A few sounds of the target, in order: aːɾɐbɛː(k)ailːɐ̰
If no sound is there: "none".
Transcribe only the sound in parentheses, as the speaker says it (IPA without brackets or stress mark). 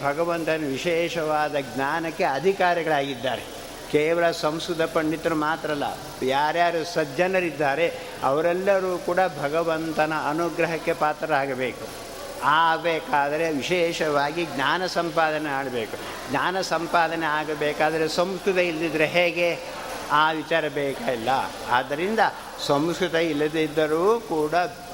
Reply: k